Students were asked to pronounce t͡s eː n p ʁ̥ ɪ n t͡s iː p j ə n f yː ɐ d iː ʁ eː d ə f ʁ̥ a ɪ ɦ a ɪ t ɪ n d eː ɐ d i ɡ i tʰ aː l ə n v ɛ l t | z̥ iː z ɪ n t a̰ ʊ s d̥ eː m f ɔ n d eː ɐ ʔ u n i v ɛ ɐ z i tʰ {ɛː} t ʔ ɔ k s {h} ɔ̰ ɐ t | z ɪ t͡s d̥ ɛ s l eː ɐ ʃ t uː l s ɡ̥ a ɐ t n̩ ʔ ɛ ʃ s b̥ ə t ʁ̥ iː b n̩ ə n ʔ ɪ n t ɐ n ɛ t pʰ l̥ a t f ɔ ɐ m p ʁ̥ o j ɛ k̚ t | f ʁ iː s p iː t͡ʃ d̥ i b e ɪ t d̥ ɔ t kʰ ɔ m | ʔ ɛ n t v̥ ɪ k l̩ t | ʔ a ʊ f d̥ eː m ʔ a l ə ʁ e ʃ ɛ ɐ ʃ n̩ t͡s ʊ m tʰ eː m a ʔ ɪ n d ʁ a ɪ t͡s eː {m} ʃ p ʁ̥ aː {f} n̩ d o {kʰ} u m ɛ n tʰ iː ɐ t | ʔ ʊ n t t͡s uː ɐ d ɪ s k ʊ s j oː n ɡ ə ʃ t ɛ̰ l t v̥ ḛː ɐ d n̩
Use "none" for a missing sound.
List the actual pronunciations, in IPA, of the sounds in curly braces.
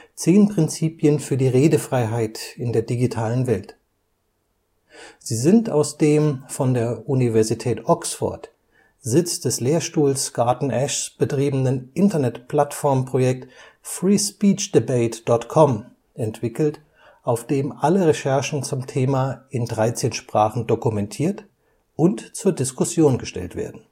ɛː, f, n, χ, k

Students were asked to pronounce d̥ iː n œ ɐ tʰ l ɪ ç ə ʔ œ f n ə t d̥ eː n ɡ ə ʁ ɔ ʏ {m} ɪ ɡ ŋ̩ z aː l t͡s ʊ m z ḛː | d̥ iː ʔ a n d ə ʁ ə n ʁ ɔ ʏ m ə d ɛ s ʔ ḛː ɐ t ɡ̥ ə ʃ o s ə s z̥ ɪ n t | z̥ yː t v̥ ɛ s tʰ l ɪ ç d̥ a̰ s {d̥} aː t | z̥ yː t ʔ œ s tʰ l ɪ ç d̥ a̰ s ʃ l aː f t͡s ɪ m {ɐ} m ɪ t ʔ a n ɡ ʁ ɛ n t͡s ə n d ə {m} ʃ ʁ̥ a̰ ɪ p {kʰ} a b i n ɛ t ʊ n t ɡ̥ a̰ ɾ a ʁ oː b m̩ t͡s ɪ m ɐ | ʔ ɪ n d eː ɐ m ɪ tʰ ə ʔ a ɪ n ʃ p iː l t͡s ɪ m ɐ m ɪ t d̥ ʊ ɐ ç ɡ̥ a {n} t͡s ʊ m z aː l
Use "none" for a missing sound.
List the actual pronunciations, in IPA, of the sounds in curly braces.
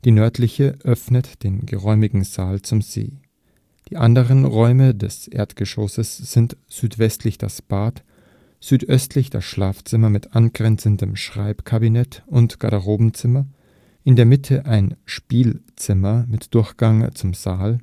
m, b̥, ɐ, m, kʰ, ŋ

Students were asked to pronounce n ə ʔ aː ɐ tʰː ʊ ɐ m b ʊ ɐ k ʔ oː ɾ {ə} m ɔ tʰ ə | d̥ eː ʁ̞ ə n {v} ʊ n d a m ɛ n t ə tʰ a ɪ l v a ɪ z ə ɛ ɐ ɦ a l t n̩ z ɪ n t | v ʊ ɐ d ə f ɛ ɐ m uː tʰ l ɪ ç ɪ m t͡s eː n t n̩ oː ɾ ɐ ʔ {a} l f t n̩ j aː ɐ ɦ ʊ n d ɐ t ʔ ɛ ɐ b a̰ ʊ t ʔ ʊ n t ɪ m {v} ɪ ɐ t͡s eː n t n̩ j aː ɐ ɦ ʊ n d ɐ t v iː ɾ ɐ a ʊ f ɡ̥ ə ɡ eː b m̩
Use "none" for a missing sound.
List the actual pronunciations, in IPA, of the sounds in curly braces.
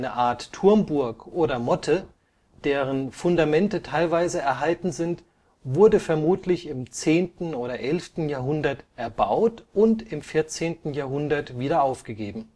ɐ, f, ɛ, f

